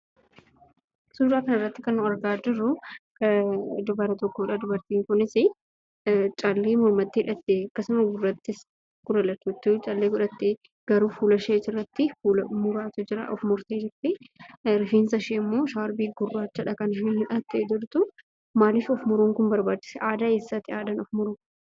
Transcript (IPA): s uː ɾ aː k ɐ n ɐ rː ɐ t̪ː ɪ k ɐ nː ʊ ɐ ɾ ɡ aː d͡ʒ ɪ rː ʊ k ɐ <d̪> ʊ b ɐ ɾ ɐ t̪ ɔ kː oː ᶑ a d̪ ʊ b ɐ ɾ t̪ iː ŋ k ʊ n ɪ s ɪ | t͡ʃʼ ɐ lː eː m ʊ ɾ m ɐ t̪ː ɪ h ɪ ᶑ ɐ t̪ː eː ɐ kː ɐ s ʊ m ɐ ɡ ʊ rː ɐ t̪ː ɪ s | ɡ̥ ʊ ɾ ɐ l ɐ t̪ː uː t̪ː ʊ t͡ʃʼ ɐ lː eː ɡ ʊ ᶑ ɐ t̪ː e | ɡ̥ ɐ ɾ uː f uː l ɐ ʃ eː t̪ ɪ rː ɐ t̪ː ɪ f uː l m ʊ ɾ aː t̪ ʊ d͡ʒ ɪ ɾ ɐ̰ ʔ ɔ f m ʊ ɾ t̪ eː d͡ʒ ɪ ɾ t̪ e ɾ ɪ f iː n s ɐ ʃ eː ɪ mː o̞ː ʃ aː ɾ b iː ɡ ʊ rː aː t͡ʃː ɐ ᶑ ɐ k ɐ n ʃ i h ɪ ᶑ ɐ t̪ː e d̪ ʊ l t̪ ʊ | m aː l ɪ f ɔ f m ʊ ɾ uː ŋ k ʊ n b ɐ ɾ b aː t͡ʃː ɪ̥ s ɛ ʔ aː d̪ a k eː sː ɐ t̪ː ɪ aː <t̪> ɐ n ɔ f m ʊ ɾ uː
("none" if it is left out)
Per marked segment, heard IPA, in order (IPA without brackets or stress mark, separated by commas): d̪, d̪